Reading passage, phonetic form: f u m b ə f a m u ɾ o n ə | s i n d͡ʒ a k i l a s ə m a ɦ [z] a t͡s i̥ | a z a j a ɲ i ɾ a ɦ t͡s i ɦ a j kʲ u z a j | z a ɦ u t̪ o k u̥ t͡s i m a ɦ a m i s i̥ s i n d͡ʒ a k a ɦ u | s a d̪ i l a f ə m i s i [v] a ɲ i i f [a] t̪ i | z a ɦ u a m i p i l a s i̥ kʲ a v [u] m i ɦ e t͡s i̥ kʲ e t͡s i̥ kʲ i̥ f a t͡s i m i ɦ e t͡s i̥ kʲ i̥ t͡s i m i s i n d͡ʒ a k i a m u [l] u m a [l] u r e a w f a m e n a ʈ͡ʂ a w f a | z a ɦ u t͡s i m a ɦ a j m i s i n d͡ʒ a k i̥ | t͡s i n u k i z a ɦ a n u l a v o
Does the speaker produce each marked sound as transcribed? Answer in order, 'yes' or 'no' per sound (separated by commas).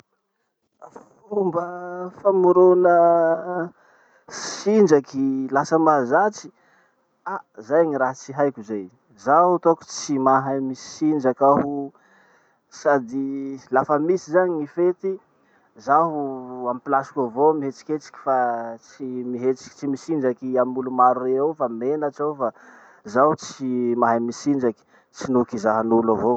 yes, no, no, no, yes, no